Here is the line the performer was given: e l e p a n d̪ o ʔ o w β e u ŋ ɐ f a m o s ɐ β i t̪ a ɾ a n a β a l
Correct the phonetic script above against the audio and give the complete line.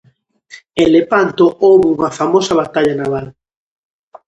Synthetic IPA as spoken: e l e p a n t̪ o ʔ o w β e u ŋ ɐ f a m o s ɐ β a t̪ a ʎ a n a β a l